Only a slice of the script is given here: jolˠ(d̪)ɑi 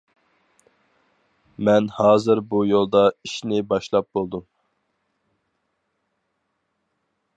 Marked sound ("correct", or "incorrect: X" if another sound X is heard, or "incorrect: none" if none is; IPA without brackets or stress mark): correct